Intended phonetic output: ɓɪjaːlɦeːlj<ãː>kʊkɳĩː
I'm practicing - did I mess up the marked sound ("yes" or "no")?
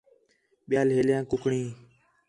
no